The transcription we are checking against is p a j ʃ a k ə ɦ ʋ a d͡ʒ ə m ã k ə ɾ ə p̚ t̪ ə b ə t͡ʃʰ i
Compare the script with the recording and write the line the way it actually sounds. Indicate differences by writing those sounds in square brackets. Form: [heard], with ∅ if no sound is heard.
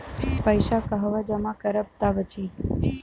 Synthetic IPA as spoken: p [ə] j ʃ a k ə ɦ ʋ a d͡ʒ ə m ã k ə ɾ ə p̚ t̪ [a] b ə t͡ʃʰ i